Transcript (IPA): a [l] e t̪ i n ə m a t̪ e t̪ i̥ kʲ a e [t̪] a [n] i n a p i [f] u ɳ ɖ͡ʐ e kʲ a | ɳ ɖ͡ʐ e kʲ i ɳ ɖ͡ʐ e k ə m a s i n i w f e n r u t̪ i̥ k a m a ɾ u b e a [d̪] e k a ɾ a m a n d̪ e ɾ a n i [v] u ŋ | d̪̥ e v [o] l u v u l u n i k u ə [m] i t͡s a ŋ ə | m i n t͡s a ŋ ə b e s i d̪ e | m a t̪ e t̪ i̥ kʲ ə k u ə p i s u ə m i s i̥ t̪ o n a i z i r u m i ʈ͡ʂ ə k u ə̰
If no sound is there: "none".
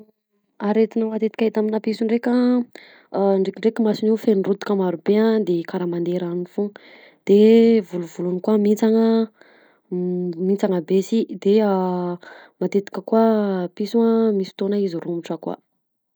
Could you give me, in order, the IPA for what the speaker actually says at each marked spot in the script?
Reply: ɾ, t̪, m, s, d̪, f, u, m

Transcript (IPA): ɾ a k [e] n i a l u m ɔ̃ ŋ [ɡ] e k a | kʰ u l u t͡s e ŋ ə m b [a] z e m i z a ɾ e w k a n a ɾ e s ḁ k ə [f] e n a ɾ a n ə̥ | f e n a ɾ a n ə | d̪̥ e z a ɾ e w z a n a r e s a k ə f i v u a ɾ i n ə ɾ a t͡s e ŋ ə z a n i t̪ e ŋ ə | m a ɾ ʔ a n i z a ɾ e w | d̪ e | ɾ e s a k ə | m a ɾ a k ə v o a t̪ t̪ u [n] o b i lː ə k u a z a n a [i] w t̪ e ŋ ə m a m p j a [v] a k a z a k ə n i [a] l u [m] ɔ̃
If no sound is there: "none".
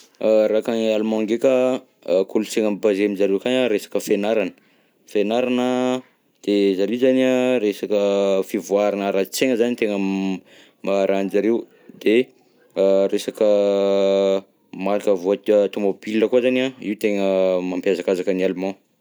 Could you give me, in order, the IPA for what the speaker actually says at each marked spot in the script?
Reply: a, ɡ, a, f, m, i, z, a, m

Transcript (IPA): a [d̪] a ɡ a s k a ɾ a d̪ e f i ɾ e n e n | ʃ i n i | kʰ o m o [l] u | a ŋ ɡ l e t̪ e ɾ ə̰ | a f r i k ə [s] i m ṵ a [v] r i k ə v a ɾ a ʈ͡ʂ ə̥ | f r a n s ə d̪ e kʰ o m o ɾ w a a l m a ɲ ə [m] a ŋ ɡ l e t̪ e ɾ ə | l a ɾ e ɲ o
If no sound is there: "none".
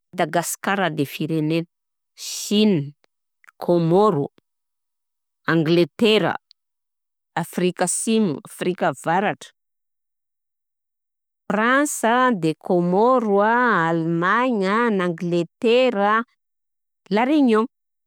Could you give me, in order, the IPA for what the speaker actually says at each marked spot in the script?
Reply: d̪, ɾ, s, f, n

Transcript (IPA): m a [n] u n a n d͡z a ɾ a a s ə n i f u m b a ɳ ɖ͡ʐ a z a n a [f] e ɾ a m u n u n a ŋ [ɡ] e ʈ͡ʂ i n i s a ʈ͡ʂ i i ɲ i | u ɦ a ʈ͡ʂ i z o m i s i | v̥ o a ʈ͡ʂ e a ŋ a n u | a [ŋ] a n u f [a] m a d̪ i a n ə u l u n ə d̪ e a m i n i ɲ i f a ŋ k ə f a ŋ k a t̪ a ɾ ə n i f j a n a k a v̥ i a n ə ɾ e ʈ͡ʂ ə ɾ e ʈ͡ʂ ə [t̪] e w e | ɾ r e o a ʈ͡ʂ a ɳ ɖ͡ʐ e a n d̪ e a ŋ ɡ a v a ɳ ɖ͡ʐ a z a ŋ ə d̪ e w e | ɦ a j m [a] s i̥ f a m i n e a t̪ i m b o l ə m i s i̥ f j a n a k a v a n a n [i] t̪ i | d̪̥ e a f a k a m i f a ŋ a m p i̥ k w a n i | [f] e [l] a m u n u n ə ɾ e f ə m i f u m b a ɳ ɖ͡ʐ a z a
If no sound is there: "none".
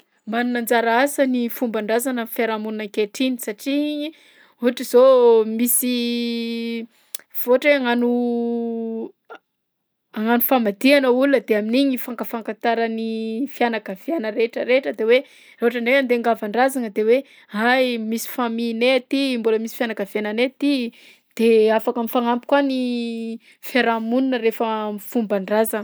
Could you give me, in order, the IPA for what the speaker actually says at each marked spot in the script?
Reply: n, f, k, ŋ, a, d̪, i, e, f, ɾ

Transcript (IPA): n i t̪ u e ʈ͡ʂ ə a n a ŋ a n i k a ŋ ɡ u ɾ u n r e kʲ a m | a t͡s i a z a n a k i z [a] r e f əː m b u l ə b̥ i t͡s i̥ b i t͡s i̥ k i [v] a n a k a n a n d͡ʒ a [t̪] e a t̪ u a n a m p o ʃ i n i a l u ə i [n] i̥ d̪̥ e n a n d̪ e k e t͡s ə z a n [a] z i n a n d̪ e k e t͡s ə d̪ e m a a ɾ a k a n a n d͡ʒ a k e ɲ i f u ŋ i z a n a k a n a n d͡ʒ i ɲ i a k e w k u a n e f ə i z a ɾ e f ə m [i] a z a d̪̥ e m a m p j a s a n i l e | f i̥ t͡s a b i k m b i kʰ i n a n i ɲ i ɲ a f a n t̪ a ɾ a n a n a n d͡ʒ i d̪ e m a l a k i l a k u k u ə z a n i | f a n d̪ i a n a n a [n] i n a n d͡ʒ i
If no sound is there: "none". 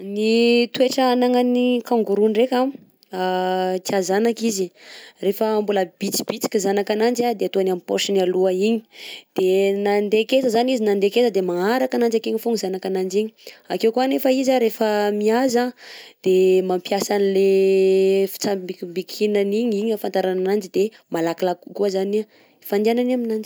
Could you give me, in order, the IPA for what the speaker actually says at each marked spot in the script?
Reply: i, z, d̪, ɲ, i, i, m

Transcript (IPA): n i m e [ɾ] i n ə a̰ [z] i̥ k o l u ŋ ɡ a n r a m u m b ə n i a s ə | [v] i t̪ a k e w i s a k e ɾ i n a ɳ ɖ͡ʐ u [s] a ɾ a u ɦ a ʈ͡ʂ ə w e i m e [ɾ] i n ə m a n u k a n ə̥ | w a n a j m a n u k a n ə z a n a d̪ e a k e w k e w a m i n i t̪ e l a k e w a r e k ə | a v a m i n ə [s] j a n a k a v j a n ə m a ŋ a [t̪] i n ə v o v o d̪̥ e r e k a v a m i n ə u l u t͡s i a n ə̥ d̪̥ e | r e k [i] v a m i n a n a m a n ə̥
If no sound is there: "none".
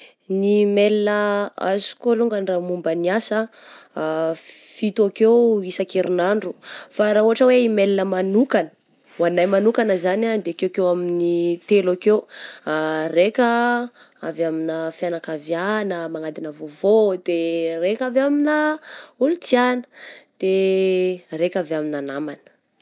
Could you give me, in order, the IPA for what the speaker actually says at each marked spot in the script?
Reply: l, z, f, f, l, f, d̪, a

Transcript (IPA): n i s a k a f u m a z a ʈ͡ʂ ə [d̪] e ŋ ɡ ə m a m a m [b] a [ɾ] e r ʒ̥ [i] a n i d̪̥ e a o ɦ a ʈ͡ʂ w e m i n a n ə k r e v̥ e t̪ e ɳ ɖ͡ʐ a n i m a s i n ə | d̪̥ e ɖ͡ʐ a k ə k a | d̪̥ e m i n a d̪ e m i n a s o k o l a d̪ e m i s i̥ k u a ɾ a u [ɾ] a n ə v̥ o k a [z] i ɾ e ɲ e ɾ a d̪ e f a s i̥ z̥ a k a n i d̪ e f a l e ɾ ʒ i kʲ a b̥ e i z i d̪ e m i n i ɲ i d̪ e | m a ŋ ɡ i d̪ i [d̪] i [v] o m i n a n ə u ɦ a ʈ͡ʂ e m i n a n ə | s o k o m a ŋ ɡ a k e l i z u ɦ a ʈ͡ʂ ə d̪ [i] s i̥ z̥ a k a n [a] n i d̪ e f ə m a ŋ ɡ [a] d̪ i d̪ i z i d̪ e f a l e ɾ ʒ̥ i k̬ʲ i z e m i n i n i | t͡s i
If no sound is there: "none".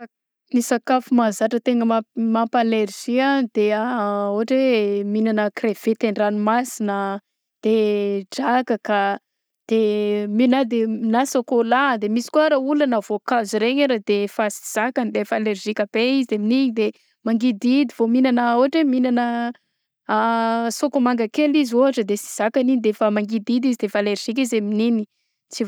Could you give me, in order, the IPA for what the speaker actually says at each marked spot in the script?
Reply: t̪, p, l, i, l, z, d̪, v, e, i, i

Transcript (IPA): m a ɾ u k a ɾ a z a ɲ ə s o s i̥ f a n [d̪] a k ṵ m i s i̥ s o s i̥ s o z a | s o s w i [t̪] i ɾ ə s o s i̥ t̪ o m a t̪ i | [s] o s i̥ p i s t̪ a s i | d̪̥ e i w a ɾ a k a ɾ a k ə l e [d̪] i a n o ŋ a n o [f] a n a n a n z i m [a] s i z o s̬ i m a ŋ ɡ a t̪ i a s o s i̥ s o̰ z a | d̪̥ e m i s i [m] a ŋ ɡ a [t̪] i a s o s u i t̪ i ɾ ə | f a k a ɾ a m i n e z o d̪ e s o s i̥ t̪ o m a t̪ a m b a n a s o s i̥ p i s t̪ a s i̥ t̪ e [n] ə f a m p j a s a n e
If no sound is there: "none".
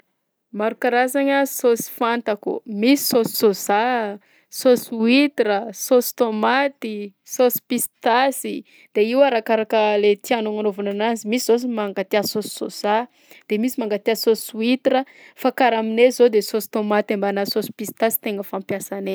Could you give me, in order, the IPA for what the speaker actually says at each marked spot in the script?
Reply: t̪, t̪, s, t̪, v, i, m, t̪, ŋ

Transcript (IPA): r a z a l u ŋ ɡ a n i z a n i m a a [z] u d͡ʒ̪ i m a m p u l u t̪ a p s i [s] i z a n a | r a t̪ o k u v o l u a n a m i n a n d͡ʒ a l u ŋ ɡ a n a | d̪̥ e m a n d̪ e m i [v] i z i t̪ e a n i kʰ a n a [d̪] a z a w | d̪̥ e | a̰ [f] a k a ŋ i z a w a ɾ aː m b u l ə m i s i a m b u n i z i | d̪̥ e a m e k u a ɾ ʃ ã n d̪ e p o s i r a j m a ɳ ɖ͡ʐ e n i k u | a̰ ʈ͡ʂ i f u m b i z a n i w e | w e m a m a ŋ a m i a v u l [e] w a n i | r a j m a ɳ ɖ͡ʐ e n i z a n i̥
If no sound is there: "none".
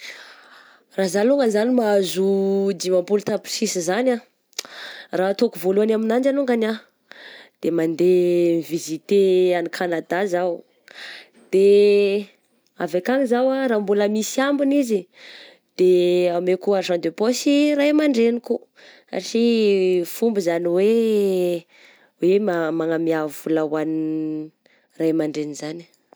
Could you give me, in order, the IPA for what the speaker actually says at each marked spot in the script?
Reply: z, s, v, d̪, v, a

